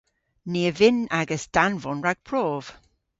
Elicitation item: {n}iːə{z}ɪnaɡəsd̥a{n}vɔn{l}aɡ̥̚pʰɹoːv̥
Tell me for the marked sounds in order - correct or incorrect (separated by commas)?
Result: correct, incorrect, correct, incorrect